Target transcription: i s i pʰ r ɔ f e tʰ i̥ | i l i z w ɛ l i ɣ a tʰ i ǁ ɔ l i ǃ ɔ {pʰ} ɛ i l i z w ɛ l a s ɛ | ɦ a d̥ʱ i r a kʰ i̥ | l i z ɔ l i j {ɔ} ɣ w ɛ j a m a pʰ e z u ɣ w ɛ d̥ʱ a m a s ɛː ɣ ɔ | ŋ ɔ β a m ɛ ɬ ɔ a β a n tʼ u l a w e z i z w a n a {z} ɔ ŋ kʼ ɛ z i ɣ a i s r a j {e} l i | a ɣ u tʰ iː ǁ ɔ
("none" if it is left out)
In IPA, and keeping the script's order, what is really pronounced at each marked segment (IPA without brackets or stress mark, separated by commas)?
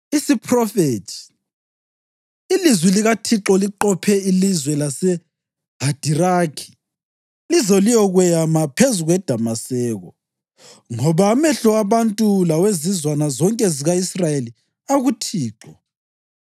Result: pʰ, ɔ, z, e